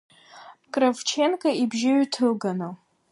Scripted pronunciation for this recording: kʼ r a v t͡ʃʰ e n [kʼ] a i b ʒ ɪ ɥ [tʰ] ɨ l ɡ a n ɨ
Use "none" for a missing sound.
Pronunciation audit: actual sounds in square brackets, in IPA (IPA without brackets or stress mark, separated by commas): kʼ, tʰ